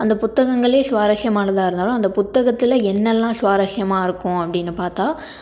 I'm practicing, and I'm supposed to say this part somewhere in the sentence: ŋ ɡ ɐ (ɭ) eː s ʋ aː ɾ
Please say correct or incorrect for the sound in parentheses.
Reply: correct